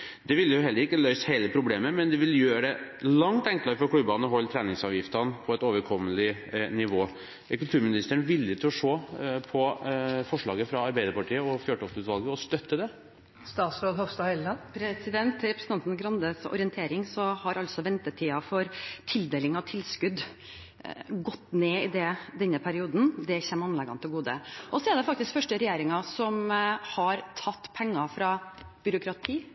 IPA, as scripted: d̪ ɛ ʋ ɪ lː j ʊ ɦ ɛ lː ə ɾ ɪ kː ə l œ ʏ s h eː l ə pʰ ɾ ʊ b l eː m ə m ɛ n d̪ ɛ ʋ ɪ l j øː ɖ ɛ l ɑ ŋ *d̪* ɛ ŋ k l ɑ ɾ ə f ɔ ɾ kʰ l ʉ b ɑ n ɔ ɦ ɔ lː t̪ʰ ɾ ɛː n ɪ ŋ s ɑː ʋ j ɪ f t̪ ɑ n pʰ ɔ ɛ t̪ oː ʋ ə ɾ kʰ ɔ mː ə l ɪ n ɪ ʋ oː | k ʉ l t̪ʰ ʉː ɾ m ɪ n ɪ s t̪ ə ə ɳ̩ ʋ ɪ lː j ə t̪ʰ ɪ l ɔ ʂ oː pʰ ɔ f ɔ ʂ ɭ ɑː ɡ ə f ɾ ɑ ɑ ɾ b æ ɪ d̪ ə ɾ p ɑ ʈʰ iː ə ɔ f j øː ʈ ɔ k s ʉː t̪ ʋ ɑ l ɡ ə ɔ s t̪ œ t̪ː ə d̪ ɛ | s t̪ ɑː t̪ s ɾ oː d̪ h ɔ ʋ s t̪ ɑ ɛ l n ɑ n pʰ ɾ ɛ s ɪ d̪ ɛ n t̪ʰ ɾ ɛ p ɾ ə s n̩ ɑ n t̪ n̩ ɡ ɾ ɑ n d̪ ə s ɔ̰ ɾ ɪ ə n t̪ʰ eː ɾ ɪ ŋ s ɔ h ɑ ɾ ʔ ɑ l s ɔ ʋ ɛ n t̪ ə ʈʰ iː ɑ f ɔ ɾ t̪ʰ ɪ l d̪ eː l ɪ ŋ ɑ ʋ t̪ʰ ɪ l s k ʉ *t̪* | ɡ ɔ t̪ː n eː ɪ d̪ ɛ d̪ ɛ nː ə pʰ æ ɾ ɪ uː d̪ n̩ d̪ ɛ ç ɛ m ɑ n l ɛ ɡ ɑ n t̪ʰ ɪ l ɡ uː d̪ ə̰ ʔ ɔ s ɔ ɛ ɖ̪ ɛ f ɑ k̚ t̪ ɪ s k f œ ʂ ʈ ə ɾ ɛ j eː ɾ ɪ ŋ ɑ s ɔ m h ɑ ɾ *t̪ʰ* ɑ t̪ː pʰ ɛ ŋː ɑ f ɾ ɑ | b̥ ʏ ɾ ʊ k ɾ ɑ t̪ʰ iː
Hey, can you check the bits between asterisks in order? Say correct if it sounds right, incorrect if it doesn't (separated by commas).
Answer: incorrect, incorrect, correct